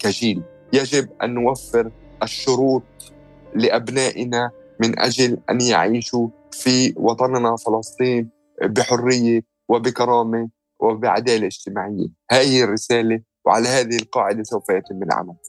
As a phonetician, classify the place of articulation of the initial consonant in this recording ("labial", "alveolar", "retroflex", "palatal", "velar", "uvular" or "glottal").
velar